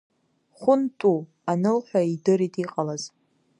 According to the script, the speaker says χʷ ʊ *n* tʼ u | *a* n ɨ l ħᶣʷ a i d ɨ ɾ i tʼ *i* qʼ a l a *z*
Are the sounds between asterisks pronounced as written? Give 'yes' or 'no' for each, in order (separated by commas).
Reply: yes, yes, yes, yes